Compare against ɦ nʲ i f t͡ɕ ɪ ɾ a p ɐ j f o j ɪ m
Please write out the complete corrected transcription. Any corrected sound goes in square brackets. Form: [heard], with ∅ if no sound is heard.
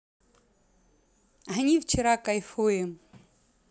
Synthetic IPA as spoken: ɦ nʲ i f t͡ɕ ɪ ɾ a [k] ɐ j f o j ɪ m